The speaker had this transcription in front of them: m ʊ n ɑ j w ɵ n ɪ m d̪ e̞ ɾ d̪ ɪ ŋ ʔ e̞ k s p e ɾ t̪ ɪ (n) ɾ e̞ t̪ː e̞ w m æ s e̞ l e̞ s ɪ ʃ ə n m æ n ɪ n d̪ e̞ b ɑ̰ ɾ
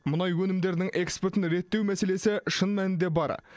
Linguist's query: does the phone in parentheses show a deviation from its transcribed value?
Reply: no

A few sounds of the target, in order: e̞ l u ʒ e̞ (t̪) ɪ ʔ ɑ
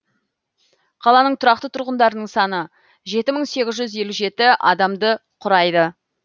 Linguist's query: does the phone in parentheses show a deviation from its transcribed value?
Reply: no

